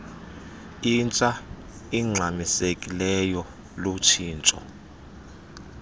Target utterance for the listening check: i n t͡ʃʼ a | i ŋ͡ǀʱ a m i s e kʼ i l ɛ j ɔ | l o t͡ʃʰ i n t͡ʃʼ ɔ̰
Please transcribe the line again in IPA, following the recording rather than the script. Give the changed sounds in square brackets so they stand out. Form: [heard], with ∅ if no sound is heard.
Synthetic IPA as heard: i n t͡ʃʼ a | i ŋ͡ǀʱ a m i s e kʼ i l ɛ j ɔ | l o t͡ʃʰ [iː] n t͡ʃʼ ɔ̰